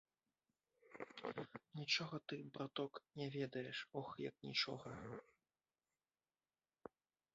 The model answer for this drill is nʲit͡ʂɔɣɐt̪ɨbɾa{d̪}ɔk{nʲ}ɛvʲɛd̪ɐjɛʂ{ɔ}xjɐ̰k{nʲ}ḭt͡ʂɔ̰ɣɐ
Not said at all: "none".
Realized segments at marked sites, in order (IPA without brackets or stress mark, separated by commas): t̪, nʲ, ɔ, nʲ